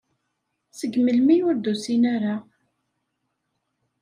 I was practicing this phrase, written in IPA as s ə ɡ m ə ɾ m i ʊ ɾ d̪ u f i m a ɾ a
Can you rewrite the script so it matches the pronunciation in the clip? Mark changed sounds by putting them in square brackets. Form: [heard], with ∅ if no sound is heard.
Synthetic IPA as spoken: s ə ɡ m ə [l] m i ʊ ɾ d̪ u [s] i [n] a ɾ a